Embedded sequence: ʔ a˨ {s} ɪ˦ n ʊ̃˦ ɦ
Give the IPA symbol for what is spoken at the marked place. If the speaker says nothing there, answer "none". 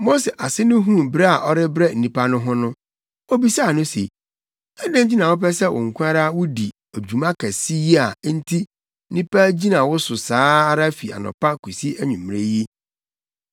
s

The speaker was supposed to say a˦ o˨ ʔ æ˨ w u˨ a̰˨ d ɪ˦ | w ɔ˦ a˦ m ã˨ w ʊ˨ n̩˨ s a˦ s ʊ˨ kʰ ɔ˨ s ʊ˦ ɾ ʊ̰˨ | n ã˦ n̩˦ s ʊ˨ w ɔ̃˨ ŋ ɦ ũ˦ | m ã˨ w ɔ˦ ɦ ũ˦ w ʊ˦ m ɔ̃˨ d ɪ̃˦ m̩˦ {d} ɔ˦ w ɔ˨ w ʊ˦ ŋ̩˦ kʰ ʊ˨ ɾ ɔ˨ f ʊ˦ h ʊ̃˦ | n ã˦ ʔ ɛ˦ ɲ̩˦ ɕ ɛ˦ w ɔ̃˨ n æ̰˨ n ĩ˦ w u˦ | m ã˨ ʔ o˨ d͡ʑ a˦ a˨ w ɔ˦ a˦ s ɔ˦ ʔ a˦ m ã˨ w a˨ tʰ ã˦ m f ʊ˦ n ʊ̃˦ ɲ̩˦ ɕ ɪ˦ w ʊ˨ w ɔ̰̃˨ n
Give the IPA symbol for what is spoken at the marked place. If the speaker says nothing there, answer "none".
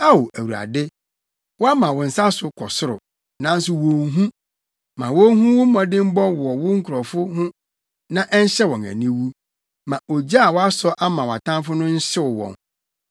b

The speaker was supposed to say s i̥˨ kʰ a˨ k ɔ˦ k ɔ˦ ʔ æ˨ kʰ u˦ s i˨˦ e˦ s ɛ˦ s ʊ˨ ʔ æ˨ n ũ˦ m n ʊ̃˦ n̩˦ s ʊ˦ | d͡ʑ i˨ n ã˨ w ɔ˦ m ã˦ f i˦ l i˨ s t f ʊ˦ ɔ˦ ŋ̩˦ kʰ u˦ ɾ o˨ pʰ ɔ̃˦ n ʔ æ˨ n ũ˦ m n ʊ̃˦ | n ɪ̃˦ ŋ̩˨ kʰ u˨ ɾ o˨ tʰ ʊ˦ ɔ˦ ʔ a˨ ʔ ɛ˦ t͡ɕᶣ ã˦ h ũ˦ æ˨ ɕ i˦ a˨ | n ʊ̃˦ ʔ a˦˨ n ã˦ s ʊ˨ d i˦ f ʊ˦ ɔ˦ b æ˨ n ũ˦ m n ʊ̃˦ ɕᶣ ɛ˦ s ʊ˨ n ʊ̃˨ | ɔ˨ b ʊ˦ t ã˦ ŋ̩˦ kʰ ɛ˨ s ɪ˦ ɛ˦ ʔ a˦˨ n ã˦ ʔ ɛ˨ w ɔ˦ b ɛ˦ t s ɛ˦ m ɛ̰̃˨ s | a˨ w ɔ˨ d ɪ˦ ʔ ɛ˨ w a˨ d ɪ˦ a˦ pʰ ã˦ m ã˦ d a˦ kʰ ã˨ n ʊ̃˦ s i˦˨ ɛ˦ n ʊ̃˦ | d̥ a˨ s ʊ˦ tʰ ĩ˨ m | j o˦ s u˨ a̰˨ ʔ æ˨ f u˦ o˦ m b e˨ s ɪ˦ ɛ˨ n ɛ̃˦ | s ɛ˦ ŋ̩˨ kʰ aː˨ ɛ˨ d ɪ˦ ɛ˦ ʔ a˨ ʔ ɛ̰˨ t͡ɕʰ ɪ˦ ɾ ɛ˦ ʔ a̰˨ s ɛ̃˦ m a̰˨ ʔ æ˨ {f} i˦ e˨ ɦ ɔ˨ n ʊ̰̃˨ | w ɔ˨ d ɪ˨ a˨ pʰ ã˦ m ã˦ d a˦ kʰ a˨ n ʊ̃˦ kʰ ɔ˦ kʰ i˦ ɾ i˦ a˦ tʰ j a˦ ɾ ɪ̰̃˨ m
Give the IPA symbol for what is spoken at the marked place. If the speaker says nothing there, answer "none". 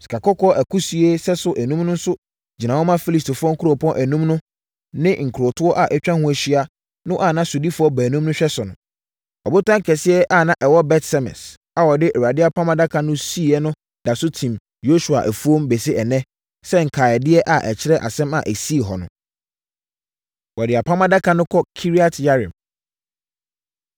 s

